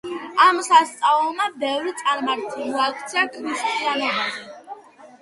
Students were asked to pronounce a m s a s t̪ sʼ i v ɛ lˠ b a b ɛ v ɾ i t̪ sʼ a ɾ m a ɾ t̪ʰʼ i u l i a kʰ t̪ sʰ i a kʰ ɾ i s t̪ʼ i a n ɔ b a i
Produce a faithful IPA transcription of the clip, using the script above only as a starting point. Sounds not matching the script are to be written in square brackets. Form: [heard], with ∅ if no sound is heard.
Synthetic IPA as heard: a m s a s t̪ sʼ [a] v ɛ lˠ [m] a b ɛ v ɾ i t̪ sʼ a ɾ m a ɾ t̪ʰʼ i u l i a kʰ t̪ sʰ i a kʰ ɾ i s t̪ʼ i a n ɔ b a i